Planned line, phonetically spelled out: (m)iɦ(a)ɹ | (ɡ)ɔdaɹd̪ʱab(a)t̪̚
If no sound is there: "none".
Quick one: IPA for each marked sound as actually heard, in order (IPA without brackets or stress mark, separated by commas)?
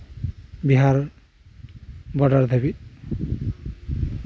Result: b, a, b, i